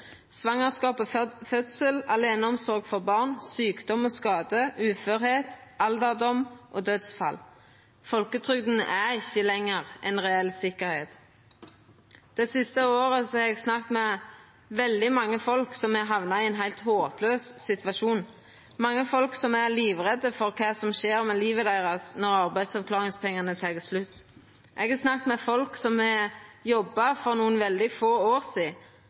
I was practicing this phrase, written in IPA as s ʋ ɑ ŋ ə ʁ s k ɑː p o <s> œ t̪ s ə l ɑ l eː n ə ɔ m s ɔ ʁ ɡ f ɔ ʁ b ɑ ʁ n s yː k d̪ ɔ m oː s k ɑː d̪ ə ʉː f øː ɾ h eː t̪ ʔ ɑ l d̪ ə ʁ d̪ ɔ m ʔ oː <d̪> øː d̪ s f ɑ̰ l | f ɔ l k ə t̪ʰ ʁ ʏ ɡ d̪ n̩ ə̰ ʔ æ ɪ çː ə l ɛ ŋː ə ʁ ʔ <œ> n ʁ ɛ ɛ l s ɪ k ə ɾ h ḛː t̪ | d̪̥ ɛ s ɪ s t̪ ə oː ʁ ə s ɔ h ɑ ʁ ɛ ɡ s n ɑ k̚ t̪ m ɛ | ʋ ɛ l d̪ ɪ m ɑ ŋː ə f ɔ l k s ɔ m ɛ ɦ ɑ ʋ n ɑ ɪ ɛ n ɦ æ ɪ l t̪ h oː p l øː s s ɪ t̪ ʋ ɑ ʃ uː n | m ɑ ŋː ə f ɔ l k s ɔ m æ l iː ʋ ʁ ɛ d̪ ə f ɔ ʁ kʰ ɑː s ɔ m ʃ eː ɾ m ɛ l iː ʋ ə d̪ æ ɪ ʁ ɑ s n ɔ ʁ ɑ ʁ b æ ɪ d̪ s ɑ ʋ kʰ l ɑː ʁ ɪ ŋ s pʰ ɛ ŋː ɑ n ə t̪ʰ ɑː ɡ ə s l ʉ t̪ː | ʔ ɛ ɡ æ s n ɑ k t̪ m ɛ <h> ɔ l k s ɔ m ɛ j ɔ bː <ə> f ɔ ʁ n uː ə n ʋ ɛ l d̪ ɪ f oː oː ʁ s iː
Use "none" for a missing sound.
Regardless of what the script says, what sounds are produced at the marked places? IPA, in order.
f, d̪, ɛ, f, ɑ

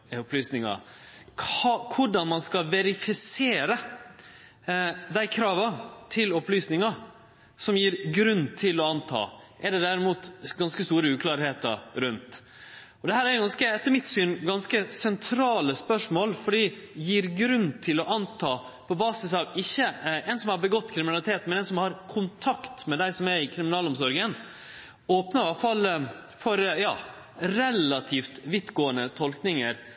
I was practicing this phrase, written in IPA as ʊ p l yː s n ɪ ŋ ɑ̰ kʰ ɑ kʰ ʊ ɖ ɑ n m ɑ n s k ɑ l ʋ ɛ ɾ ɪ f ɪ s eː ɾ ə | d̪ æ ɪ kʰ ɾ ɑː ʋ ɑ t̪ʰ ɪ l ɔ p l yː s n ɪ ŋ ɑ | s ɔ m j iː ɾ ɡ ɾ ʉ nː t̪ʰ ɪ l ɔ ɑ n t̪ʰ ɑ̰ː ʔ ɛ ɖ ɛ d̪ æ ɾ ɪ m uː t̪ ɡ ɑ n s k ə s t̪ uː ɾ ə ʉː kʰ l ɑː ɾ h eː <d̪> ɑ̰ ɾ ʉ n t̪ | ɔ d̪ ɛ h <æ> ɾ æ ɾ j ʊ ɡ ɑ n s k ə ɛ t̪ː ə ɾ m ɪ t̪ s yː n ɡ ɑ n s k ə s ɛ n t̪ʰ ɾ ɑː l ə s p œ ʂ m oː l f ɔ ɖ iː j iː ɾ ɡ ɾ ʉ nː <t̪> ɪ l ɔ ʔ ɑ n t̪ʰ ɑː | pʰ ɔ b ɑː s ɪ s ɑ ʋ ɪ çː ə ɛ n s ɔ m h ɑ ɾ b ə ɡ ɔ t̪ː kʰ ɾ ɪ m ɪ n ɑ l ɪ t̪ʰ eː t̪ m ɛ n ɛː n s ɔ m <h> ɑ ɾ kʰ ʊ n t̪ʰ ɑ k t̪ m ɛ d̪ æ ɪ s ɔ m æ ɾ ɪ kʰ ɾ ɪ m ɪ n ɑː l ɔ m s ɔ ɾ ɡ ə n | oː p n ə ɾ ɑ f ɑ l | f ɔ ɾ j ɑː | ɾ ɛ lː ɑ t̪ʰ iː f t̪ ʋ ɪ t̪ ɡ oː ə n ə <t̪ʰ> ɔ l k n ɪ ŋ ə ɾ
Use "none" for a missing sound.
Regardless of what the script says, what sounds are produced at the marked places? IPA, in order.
t̪, æː, t̪ʰ, h, t̪ʰ

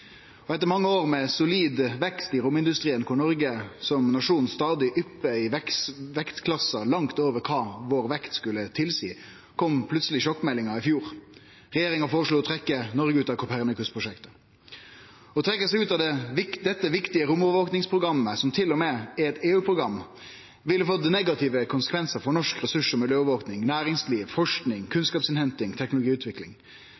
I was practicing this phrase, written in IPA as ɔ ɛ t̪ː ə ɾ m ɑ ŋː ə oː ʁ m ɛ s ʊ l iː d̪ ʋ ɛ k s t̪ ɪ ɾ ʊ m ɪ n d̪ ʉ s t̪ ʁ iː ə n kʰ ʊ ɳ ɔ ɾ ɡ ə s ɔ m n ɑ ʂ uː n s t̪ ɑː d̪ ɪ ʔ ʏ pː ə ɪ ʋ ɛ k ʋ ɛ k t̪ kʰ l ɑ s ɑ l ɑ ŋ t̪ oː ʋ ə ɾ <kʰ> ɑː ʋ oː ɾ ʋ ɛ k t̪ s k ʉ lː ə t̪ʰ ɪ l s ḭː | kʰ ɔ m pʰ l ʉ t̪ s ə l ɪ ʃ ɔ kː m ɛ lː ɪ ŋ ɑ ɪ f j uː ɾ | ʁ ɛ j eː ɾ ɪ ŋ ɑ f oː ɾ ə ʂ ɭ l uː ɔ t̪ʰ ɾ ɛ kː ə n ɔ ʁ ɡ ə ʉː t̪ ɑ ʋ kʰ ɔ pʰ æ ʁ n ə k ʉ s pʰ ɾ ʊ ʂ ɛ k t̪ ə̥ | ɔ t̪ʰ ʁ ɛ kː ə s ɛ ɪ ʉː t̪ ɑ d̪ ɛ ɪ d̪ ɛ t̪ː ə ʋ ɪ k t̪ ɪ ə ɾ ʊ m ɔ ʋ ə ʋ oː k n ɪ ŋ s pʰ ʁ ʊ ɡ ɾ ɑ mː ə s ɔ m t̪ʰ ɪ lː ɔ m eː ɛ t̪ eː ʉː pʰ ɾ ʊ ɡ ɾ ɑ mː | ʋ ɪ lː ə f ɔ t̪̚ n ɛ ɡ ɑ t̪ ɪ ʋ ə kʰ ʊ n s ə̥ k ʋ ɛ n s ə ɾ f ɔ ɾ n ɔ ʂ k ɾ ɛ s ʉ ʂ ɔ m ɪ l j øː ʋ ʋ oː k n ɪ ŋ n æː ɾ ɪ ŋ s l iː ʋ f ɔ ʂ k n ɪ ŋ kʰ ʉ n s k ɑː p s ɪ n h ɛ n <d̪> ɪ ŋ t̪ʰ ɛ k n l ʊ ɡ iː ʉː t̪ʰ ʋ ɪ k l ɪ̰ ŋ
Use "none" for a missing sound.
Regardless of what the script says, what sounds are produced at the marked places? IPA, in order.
kʰ, t̪

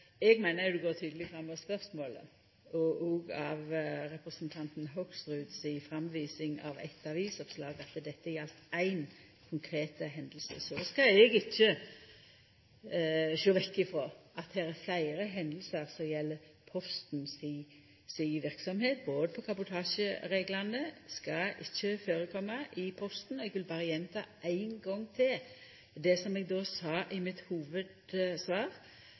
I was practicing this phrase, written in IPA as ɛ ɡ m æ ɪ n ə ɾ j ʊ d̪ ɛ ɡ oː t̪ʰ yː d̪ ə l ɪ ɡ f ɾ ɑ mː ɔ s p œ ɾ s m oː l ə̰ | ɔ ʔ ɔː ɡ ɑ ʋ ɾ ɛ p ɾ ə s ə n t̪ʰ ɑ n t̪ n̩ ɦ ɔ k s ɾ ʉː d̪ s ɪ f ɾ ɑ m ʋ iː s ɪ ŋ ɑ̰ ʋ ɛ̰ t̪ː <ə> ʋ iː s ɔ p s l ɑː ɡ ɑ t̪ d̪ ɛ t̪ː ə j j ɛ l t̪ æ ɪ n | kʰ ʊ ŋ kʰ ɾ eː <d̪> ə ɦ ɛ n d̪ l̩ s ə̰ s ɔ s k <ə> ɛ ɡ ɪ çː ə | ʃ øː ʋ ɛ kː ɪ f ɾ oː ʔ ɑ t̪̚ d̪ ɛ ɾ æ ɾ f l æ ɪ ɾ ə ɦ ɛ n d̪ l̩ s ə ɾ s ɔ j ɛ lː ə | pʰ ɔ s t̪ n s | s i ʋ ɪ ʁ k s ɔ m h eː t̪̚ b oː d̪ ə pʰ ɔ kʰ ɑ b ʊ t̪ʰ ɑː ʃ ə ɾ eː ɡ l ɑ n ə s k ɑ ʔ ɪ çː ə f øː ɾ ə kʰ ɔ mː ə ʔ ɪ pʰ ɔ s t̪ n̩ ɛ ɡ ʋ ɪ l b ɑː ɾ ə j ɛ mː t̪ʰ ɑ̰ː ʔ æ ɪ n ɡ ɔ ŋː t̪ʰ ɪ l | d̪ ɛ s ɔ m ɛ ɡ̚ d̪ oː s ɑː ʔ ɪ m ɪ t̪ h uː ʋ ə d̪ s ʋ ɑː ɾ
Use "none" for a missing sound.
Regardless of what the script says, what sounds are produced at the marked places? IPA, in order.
ɑ, t̪, ɑ

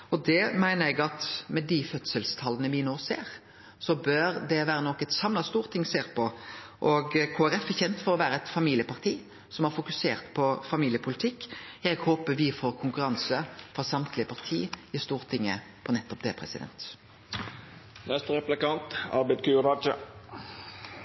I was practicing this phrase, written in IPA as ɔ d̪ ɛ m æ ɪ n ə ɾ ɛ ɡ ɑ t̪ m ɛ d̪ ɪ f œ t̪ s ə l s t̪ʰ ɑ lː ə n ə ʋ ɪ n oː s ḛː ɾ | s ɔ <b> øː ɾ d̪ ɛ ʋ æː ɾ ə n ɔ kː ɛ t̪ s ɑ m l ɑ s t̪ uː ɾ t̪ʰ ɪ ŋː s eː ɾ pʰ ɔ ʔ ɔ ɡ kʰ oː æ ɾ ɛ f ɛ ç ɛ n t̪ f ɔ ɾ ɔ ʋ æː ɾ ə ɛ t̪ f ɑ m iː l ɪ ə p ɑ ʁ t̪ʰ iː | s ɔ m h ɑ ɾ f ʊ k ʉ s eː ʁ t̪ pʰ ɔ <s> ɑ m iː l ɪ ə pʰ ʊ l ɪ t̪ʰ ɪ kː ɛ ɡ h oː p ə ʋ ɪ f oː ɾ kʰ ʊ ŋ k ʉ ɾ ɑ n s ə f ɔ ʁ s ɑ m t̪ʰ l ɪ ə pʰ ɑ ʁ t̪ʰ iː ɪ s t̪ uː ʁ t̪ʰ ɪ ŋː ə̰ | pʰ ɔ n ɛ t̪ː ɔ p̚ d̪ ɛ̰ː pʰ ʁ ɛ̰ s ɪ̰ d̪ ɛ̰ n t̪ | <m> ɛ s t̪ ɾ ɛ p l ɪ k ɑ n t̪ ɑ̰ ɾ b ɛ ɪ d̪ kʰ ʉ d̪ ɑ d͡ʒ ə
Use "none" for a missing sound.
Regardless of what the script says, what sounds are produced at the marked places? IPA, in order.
b, f, n

